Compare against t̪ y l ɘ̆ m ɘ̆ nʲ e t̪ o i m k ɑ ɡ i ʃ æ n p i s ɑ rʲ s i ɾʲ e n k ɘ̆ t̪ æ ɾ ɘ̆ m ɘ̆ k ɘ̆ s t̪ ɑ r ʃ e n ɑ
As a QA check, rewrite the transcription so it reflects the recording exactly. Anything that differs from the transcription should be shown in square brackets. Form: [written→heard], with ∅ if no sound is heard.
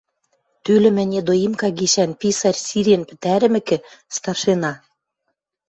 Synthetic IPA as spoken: t̪ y l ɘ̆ m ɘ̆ nʲ e [t̪→d̪] o i m k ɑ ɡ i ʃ æ n p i s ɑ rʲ s i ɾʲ e n [k→p] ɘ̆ t̪ æ ɾ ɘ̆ m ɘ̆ k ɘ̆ s t̪ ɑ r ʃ e n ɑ